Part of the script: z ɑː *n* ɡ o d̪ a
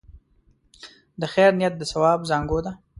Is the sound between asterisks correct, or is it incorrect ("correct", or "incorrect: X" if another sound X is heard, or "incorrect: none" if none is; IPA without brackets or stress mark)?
incorrect: ŋ